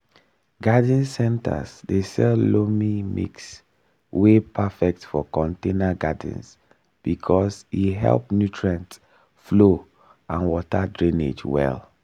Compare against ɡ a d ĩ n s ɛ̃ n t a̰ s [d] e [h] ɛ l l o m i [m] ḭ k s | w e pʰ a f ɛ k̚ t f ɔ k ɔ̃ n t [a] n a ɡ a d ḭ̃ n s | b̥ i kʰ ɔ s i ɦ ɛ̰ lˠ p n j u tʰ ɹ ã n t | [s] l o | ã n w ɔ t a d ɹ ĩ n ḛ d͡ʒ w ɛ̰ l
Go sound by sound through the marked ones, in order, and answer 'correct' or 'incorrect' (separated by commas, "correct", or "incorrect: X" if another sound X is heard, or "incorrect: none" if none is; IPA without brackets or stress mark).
correct, incorrect: s, correct, incorrect: e, incorrect: f